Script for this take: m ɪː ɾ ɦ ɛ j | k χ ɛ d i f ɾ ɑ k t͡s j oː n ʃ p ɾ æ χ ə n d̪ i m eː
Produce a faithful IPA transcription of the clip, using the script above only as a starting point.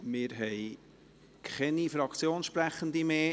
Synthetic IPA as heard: m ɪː ɾ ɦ ɛ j | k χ ɛ n i f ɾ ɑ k t͡s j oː n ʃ p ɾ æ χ ə n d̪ i m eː

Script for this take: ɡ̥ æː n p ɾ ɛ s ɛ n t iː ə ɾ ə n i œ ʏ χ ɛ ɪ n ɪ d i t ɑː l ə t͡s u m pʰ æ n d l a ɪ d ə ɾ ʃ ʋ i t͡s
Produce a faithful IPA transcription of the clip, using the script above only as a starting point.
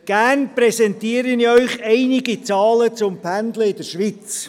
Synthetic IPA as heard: ɡ̥ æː n p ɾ ɛ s ɛ n t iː ə ɾ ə n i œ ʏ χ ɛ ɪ n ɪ ɡ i t͡s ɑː l ə t͡s ʊ m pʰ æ n d l ə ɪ d ə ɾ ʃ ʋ i t͡s

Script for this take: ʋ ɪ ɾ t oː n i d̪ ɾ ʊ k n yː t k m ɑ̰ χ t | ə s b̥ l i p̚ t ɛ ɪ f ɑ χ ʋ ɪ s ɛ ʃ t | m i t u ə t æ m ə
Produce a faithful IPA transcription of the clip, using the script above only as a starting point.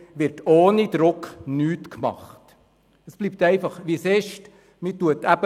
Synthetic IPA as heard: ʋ ɪ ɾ t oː n i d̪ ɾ ʊ k n yː t k m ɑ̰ χ t | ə s b̥ l i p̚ t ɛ ɪ f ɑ χ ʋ i s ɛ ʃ t | m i t u ə t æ b ə

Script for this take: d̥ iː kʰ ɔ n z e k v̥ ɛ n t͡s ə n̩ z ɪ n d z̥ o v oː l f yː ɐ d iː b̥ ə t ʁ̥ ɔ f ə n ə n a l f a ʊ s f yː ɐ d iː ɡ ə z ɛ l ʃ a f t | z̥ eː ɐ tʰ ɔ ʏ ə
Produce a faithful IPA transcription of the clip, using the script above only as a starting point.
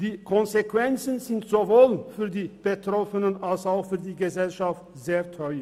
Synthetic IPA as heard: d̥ iː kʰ ɔ n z e k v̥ ɛ n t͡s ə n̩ z ɪ n t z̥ o v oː l f yː ɐ d iː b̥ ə t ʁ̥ ɔ f ə n ə n a l s a ʊ x f yː ɐ d iː ɡ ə z ɛ l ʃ a f t | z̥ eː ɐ tʰ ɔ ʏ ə

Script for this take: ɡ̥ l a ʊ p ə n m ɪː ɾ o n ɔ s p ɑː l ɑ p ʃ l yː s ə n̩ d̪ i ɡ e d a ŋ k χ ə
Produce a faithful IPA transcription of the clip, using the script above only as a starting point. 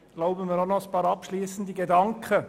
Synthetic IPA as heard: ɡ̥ l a ʊ b ə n m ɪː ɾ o n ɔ s p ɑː ɾ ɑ p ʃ l iː s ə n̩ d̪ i ɡ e d ɑ ŋ k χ ə

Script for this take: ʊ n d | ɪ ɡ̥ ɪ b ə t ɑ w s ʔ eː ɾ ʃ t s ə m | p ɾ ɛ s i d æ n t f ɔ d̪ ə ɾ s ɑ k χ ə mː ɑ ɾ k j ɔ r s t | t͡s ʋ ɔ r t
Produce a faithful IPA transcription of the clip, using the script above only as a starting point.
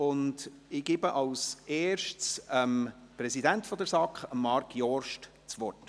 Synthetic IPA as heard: ʊ n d | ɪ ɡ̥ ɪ b ə ʔ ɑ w s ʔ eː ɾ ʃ t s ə m | p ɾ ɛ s i d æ n t f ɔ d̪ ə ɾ s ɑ k χ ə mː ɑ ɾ k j ɔ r ʃ t | t͡s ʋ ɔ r t

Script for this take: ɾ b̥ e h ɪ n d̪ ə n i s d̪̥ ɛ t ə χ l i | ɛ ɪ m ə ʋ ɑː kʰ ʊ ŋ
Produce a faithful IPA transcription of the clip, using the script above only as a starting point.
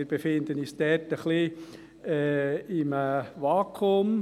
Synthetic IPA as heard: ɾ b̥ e f ɪ n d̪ ə n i s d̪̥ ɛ t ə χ l i | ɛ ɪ m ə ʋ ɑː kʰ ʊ m

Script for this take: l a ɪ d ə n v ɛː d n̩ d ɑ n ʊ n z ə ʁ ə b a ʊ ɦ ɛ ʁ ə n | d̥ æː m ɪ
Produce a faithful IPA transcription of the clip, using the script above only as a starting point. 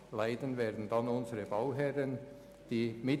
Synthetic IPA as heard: l a ɪ d ə n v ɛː d n̩ d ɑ n ʊ n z ə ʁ ə b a ʊ ɦ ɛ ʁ ə n | d̥ iː m ɪ

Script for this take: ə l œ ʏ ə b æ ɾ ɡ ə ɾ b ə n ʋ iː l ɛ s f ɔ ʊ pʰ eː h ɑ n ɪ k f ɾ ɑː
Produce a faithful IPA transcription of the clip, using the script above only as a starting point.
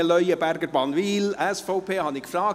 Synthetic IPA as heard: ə l œ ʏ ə b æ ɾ ɡ ə ɾ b ɑ n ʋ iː l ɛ s f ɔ ʊ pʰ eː h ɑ n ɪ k f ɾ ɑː

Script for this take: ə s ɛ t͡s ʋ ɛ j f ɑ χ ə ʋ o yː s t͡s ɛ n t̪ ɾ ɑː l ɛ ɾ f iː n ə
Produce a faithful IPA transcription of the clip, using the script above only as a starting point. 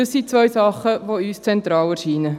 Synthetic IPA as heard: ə s i t͡s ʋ œ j s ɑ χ ə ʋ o yː s t͡s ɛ n t̪ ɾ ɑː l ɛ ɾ ʃ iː n ə

